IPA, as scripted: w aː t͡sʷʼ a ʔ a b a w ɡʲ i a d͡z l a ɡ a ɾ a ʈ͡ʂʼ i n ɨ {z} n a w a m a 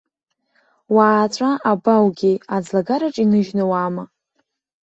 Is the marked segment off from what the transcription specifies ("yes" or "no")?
yes